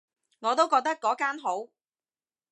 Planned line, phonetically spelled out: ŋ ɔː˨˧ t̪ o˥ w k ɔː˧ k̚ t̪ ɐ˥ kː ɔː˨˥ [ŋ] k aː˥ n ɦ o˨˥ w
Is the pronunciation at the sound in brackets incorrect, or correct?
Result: incorrect